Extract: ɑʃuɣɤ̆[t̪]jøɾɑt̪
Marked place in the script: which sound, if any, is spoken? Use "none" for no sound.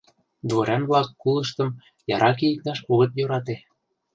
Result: t̪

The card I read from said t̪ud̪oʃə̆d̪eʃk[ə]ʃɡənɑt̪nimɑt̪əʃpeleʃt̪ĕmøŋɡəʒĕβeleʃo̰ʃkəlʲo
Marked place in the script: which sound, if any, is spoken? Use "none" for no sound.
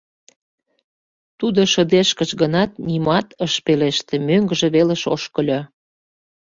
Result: ə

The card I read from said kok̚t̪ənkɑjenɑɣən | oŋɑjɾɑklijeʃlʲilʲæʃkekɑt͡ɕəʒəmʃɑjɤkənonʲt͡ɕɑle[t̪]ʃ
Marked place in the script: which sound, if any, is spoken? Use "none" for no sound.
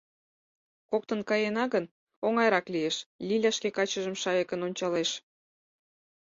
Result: none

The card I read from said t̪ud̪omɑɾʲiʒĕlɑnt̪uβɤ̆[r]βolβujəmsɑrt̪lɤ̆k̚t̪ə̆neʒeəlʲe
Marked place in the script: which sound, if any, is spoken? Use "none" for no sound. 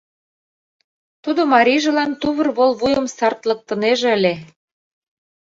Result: r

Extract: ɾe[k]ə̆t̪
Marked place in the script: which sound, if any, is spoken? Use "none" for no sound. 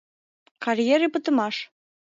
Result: p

